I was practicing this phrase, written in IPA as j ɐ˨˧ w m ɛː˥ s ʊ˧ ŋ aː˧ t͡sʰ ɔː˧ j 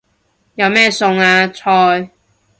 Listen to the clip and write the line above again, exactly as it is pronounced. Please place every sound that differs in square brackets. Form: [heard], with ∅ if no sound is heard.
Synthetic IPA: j ɐ˨˧ w m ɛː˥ s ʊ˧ ŋ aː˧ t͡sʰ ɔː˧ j